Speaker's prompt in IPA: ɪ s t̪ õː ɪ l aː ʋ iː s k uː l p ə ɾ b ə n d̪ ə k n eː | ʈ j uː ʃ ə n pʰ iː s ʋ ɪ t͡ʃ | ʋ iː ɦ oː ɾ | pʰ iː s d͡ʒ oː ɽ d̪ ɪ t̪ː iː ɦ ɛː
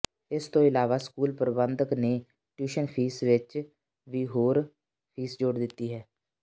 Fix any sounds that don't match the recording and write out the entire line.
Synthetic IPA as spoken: ɪ s t̪ õː ɪ l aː ʋ aː s k uː l p ə ɾ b ə n d̪ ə k n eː | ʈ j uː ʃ ə n pʰ iː s ʋ ɪ t͡ʃ | ʋ iː ɦ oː ɾ | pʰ iː s d͡ʒ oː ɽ d̪ ɪ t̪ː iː ɦ ɛː